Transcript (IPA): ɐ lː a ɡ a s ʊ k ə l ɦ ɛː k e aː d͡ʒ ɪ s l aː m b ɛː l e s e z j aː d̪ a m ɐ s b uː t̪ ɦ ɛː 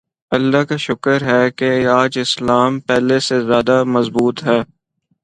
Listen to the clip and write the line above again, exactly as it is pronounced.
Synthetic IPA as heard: ɐ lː a k a ʃ ʊ k ə ɾ ɦ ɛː k e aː d͡ʒ ɪ s l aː m p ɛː l e s e z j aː d̪ a m ɐ z b uː t̪ ɦ ɛː